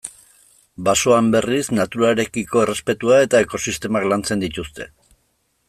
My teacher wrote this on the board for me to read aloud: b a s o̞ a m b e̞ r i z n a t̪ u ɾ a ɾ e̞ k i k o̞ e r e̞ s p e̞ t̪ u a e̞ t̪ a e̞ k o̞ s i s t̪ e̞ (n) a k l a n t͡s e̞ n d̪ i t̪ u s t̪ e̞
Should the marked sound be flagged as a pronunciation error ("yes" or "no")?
yes